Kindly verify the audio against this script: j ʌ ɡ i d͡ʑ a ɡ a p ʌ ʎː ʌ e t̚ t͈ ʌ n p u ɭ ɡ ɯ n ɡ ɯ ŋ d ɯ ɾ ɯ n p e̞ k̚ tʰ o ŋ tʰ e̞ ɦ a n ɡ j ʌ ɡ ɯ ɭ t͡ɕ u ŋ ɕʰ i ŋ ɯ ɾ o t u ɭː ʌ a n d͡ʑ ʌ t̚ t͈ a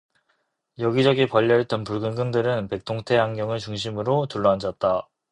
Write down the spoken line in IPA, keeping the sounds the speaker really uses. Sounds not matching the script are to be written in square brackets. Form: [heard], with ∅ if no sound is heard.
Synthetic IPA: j ʌ ɡ i d͡ʑ [ʌ] ɡ [i] p ʌ ʎː ʌ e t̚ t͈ ʌ n p u ɭ ɡ ɯ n ɡ ɯ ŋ d ɯ ɾ ɯ n p e̞ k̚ tʰ o ŋ tʰ e̞ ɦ a [ŋ] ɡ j ʌ [ŋ] ɯ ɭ t͡ɕ u ŋ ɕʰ i [m] ɯ ɾ o t u ɭː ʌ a n d͡ʑ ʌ t̚ t͈ a